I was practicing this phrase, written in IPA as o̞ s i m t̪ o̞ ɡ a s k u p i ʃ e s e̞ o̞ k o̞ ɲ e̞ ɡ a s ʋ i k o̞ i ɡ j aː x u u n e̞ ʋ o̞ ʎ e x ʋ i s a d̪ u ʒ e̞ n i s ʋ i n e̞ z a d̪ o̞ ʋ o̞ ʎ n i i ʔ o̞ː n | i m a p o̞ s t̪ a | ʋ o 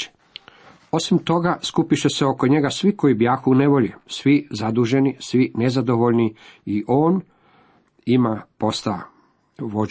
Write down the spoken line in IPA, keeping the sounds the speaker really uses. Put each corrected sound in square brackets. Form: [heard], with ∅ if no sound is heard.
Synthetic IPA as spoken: o̞ s i m t̪ o̞ ɡ a s k u p i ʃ e s e̞ o̞ k o̞ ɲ e̞ ɡ a s ʋ i k o̞ i [b] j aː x u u n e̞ ʋ o̞ ʎ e [s] ʋ i [z] a d̪ u ʒ e̞ n i s ʋ i n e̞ z a d̪ o̞ ʋ o̞ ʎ n i i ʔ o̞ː n | i m a p o̞ s t̪ a | ʋ o